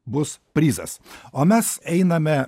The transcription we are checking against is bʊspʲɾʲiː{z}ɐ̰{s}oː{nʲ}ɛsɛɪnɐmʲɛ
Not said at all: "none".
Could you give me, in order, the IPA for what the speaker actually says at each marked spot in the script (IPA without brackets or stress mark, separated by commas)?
z, s, mʲ